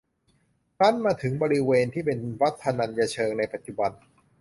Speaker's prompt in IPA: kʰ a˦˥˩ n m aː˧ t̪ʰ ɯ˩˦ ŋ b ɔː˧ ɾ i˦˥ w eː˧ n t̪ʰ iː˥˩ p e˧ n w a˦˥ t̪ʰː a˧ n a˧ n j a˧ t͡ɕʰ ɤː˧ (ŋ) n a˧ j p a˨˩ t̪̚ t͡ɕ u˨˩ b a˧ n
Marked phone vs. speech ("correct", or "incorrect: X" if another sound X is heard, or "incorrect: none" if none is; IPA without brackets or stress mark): correct